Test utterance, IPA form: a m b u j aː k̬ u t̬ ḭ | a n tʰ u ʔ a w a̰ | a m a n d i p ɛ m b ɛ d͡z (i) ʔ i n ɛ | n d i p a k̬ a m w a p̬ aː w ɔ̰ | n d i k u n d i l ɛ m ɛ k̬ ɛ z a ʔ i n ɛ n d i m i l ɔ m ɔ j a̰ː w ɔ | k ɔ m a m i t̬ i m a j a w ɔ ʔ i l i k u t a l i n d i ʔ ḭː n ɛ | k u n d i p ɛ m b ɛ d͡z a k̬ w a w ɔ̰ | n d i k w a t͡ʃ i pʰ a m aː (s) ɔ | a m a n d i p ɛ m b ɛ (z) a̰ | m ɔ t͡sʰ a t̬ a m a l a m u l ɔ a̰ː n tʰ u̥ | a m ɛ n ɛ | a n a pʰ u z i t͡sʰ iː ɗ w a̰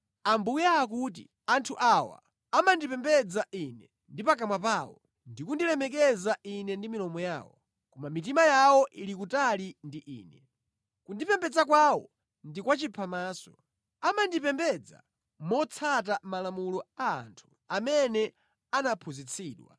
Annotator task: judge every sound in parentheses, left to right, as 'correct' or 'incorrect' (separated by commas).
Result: incorrect, correct, incorrect